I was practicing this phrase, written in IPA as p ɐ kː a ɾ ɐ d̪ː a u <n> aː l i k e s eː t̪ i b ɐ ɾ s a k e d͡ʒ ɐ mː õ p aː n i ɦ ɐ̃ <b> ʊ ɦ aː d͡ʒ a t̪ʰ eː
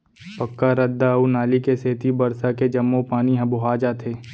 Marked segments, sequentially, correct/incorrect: correct, correct

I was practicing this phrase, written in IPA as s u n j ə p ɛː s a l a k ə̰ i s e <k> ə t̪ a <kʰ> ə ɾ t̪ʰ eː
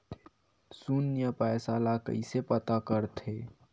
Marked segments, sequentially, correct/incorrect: incorrect: p, incorrect: k

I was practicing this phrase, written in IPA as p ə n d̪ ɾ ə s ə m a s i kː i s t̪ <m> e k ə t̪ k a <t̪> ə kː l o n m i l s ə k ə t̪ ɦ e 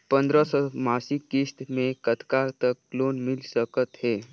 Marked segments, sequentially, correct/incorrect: correct, correct

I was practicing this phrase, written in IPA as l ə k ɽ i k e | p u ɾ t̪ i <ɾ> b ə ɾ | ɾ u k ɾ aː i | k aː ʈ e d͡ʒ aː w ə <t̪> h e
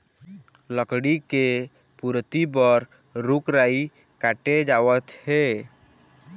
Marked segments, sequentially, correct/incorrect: incorrect: none, correct

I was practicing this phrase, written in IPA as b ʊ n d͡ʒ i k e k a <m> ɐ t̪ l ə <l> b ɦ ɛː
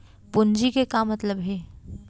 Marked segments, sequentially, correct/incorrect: correct, incorrect: none

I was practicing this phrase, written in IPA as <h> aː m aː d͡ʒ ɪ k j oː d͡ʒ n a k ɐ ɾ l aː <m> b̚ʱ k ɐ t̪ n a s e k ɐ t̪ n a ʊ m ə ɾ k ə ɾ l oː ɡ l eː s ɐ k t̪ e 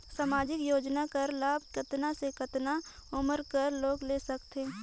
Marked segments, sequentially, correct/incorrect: incorrect: s, incorrect: none

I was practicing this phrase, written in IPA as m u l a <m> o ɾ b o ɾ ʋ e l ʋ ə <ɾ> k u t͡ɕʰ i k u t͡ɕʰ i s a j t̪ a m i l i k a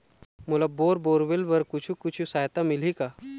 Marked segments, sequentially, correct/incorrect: incorrect: b, correct

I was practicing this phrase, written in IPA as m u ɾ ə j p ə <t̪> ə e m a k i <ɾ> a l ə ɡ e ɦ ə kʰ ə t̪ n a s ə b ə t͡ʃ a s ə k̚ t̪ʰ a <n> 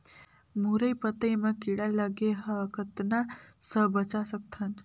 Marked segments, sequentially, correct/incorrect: correct, incorrect: ɽ, correct

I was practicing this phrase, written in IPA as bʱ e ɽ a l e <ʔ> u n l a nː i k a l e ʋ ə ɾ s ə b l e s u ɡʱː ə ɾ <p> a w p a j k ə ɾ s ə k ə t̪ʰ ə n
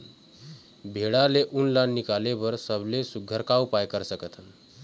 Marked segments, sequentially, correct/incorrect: correct, incorrect: k

